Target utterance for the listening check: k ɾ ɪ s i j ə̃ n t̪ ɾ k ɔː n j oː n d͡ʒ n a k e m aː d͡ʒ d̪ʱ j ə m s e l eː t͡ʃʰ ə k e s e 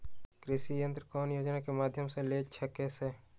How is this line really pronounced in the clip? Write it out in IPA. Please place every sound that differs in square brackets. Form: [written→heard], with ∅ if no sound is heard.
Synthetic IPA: k ɾ ɪ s i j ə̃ n t̪ ɾ k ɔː n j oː [n→∅] d͡ʒ n a k e m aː [d͡ʒ→∅] d̪ʱ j ə m s e l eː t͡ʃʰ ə k e s e